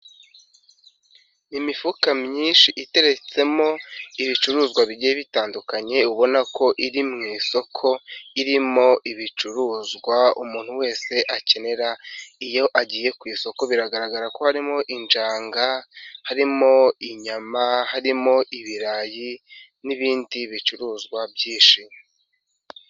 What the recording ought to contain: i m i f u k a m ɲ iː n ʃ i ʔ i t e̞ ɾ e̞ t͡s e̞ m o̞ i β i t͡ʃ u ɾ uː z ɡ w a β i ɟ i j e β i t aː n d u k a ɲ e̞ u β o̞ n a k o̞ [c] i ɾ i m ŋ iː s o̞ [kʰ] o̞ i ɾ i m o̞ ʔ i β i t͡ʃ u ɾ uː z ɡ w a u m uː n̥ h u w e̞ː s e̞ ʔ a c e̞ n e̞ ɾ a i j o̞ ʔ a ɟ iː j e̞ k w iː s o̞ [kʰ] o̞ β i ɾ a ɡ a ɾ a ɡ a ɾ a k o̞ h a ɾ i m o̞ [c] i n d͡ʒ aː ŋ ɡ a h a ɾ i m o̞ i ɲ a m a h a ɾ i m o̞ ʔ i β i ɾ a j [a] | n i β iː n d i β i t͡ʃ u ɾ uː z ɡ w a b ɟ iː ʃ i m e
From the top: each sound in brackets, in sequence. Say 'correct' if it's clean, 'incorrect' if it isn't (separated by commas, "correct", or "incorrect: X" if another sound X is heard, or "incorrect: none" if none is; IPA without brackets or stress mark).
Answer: incorrect: ʔ, correct, incorrect: k, incorrect: ʔ, incorrect: i